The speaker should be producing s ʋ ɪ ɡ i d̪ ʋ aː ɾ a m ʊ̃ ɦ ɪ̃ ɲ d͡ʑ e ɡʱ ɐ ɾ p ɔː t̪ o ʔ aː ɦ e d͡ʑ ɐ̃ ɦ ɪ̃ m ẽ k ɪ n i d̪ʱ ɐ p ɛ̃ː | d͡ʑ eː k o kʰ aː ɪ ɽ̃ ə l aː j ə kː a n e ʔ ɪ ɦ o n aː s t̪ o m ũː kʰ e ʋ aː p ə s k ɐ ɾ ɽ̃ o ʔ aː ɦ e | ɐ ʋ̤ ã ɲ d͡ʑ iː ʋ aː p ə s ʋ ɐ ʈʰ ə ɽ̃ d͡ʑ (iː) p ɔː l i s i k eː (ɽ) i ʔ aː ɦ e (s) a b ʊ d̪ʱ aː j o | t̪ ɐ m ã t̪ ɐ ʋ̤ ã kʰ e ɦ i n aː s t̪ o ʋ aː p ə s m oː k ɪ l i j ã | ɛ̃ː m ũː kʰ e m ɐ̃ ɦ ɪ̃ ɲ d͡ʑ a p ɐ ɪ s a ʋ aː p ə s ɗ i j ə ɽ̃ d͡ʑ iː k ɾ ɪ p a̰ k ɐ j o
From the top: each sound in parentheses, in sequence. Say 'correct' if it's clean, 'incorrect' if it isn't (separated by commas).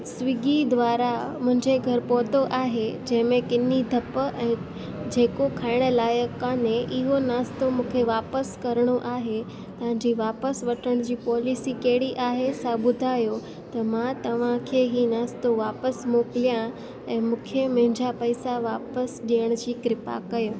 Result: correct, correct, correct